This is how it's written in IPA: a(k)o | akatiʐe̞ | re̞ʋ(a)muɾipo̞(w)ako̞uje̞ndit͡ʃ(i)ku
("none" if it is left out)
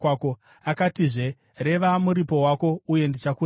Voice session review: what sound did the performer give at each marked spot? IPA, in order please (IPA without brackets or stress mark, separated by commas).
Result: k, a, w, a